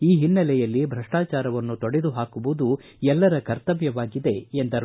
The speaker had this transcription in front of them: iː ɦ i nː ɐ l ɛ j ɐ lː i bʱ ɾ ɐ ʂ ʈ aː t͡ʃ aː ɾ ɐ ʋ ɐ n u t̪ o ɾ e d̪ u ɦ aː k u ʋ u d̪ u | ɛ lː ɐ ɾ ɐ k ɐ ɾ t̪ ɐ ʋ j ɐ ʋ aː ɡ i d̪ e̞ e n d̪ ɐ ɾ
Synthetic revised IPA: iː ɦ i nː ɐ l ɛ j ɐ lː i bʱ ɾ ɐ ʂ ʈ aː t͡ʃ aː ɾ ɐ ʋ ɐ nː u t̪ o ɽ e d̪ u ɦ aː k u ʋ u d̪ u | ɛ lː ɐ ɾ ɐ k ɐ ɾ t̪ ɐ ʋ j ɐ ʋ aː ɡ i d̪ e̞ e n d̪ ɐ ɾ

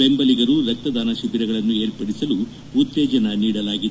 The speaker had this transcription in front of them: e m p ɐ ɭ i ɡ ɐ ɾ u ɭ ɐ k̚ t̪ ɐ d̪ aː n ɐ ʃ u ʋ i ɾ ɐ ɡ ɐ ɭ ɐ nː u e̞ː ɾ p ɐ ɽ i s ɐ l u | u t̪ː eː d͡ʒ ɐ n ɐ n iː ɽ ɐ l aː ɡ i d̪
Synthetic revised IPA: e m b ɐ l i ɡ ɐ ɾ u ɾ ɐ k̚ t̪ ɐ d̪ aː n ɐ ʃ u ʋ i ɾ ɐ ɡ ɐ ɭ ɐ nː u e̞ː ɾ p ɐ ɽ i s ɐ l u | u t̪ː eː d͡ʒ ɐ n ɐ n iː ɽ ɐ l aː ɡ i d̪

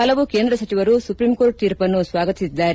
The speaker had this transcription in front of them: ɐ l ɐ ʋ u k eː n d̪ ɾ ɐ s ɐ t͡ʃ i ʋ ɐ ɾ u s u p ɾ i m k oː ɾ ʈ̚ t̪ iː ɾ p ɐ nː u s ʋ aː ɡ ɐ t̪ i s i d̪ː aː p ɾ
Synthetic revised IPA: ɐ l ɐ ʋ u k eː n d̪ ɾ ɐ s ɐ t͡ʃ i ʋ ɐ ɾ u s u p ɾ i m k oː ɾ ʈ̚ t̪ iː ɾ p ɐ nː u s ʋ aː ɡ ɐ t̪ i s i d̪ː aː ɾ

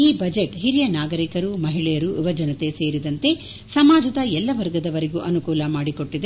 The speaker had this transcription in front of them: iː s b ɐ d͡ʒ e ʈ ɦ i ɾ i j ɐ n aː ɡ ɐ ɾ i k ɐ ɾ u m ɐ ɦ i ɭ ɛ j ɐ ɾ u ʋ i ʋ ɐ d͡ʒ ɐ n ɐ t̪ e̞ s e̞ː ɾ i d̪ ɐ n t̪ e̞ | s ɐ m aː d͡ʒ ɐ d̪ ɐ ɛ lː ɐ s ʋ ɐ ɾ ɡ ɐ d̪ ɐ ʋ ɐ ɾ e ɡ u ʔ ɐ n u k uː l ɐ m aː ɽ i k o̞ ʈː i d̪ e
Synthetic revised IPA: iː b ɐ d͡ʒ e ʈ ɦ i ɾ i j ɐ n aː ɡ ɐ ɾ i k ɐ ɾ u m ɐ ɦ i ɭ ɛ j ɐ ɾ u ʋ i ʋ ɐ d͡ʒ ɐ n ɐ t̪ e̞ s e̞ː ɾ i d̪ ɐ n t̪ e̞ | s ɐ m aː d͡ʒ ɐ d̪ ɐ ɛ lː ɐ ʋ ɐ ɾ ɡ ɐ d̪ ɐ ʋ ɐ ɾ e ɡ u ʔ ɐ n u k uː l ɐ m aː ɽ i k o̞ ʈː i d̪ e

